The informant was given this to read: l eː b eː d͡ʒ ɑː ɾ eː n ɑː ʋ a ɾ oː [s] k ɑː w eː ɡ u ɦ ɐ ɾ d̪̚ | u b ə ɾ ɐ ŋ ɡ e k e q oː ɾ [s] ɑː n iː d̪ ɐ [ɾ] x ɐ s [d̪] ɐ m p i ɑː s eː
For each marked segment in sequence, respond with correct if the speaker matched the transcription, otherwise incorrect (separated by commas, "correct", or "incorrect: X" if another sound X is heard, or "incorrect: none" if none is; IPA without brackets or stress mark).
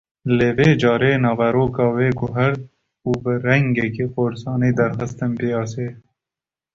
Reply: incorrect: none, correct, correct, incorrect: t̪